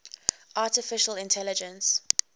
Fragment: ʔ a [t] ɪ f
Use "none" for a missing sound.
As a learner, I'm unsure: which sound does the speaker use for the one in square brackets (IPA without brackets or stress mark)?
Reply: t